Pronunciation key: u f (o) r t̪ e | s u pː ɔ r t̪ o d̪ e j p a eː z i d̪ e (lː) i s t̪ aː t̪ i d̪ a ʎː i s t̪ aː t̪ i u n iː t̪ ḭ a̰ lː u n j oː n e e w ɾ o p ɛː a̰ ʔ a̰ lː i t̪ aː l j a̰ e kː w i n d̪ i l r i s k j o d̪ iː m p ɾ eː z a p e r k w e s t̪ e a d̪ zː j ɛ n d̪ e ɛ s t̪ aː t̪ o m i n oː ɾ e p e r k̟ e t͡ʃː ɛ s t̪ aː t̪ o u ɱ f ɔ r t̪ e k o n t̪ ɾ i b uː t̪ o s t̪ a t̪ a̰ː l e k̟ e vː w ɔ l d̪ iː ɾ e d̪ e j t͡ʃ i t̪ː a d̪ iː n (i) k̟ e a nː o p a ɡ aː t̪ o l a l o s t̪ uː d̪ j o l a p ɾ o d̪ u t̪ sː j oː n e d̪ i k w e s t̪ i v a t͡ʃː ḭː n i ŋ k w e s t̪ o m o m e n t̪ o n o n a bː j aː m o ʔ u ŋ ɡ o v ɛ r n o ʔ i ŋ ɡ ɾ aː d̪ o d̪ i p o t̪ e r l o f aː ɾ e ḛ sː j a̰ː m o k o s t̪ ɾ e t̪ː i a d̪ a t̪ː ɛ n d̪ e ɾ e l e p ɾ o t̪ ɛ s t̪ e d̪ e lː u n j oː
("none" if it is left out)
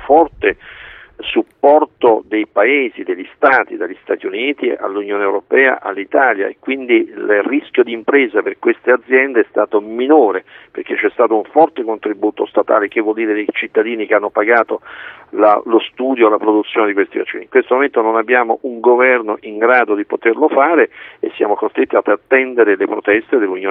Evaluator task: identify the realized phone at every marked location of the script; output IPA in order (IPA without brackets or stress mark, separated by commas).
ɔ, ʎː, i